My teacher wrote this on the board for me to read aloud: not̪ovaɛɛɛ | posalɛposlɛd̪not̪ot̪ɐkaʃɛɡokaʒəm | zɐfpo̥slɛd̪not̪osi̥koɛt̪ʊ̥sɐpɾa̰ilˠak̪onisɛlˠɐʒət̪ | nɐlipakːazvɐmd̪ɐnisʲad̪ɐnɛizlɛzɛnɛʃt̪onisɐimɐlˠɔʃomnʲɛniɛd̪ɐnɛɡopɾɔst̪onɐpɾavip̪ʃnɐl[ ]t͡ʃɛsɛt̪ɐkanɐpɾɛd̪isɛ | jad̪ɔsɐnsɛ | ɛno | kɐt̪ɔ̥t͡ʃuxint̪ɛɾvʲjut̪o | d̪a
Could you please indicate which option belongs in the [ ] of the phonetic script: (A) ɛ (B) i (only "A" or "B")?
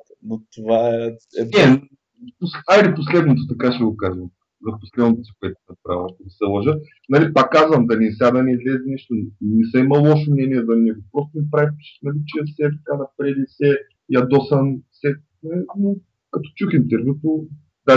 B